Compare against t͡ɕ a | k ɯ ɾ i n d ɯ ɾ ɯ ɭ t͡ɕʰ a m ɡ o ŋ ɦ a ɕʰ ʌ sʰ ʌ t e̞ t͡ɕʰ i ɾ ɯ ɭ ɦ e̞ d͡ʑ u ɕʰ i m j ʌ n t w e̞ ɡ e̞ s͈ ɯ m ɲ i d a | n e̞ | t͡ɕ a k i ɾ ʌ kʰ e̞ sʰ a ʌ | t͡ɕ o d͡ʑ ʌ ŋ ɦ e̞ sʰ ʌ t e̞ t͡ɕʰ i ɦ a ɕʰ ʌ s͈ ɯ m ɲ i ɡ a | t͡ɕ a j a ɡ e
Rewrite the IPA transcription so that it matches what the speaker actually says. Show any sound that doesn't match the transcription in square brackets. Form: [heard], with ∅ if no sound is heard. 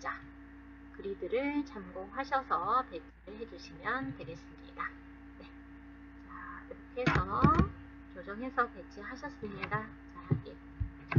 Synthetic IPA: t͡ɕ a | k ɯ ɾ i [∅] d ɯ ɾ ɯ ɭ [t͡ɕ] a m ɡ o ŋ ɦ a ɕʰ ʌ sʰ ʌ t e̞ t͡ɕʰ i ɾ ɯ ɭ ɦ e̞ d͡ʑ u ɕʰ i m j ʌ n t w e̞ ɡ e̞ s͈ ɯ m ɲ i d a | n e̞ | t͡ɕ a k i ɾ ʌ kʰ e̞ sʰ [ʌ] ʌ | t͡ɕ o d͡ʑ ʌ ŋ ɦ e̞ sʰ ʌ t e̞ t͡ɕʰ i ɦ a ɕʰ ʌ s͈ ɯ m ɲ i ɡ a | t͡ɕ a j a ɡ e